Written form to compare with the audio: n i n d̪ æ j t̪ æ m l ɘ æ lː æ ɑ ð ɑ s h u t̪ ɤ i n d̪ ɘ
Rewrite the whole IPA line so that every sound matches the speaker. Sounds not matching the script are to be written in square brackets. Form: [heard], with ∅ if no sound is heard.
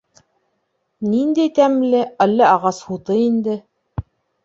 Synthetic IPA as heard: n i n d̪ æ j t̪ æ m l ɘ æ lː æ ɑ [ʁ] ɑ s h u t̪ ɤ i n d̪ ɘ